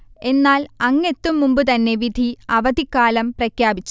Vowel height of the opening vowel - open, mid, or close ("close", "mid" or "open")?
mid